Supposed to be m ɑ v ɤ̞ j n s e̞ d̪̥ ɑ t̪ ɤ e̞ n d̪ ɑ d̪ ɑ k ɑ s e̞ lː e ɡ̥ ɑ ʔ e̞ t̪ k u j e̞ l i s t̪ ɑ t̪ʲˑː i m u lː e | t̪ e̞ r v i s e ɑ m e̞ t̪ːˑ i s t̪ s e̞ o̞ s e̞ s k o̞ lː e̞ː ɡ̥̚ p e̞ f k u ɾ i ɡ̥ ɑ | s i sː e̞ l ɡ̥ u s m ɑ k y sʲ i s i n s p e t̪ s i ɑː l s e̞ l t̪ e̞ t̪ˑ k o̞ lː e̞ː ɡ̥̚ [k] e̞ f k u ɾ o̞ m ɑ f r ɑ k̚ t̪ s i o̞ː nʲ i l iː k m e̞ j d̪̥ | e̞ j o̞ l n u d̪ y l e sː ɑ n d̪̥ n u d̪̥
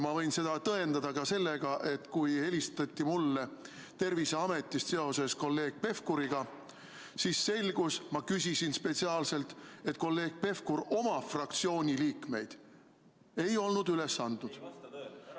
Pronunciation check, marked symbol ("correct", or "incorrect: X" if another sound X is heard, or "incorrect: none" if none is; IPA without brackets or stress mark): incorrect: p